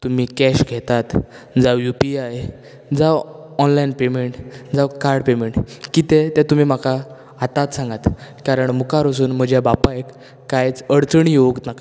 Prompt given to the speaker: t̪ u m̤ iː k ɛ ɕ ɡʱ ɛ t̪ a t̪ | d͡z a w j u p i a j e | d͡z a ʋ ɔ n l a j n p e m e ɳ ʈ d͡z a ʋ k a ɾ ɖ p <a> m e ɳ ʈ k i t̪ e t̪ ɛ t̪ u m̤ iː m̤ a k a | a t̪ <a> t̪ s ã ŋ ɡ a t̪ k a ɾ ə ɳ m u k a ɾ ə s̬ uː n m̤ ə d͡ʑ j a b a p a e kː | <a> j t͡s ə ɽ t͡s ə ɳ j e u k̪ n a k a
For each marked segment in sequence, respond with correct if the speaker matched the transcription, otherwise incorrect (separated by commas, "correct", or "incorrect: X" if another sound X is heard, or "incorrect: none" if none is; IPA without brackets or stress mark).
incorrect: e, correct, correct